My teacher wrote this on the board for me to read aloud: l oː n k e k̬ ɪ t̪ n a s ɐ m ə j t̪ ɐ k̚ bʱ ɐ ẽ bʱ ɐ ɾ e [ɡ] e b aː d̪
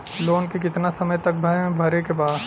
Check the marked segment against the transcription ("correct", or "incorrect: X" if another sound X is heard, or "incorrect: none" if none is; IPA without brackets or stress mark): incorrect: k